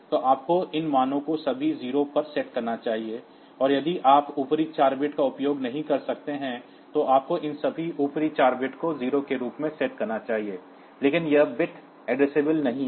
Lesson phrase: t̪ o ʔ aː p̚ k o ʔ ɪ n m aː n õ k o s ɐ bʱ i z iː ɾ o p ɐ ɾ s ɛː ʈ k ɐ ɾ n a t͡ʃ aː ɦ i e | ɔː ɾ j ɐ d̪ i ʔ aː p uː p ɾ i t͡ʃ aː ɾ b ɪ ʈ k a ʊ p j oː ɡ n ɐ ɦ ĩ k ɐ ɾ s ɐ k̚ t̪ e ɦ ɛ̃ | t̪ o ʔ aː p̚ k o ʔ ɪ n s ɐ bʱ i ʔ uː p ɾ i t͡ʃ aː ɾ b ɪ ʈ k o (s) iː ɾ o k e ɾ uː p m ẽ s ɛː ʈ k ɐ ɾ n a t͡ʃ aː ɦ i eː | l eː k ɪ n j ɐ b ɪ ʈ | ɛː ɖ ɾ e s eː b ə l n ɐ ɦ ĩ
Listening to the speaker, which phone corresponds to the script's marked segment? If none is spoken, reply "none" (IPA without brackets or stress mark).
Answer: z